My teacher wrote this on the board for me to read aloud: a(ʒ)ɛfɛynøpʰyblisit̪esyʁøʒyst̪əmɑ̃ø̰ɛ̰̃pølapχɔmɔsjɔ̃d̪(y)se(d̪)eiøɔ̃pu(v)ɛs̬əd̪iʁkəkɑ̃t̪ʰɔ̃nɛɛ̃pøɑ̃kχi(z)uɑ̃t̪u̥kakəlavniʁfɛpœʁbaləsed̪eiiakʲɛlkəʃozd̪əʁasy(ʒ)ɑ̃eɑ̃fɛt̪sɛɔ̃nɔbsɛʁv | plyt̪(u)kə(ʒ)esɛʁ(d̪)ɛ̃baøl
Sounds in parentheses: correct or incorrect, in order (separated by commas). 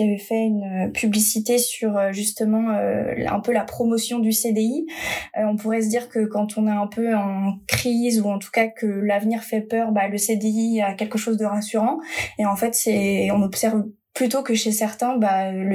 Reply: incorrect, correct, correct, incorrect, correct, incorrect, incorrect, incorrect, incorrect